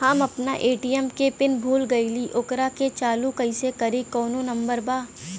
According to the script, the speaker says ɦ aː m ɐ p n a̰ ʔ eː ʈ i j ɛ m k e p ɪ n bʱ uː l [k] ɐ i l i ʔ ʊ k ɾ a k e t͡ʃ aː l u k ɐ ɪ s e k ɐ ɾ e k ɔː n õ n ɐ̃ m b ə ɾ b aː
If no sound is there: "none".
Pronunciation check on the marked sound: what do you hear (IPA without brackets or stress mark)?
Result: ɡ